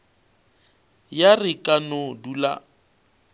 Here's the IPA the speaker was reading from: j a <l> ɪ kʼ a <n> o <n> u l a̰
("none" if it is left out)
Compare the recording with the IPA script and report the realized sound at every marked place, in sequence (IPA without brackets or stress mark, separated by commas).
r, n, d